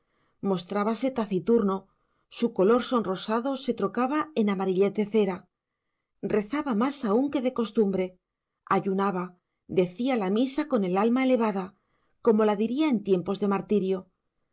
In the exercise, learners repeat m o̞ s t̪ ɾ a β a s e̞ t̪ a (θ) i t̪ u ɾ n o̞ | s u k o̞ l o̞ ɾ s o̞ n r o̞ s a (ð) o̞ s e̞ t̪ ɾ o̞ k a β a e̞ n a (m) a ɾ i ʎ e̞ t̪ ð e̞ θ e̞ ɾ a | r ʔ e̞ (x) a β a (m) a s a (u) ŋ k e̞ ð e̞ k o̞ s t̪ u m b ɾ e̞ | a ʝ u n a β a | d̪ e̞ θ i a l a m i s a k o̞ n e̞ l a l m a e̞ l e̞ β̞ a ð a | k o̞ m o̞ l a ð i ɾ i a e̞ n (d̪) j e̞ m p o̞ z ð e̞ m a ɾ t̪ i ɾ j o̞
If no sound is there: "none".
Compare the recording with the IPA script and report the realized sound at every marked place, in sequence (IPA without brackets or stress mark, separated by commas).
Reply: θ, ð, m, θ, m, u, t̪